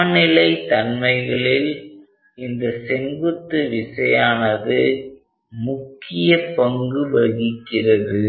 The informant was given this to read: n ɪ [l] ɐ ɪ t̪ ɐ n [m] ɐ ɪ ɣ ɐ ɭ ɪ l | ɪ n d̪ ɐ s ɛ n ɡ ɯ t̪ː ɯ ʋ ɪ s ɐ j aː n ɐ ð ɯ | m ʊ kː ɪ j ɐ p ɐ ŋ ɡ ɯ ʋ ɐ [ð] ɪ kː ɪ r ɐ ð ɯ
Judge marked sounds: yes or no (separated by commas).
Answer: yes, yes, no